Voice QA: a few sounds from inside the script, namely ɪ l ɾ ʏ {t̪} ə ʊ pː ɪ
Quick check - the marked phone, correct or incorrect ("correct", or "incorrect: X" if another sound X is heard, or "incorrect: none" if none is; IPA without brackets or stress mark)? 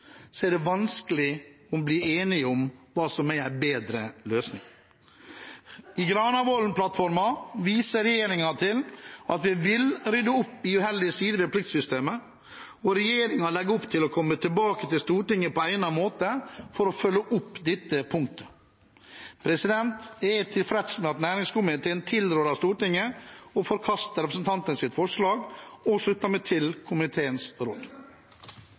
incorrect: d̪